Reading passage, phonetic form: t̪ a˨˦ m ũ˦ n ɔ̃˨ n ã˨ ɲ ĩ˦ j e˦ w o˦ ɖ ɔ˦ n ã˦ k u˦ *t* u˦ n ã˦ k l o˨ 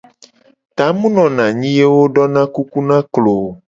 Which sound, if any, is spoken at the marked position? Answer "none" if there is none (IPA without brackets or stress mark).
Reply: k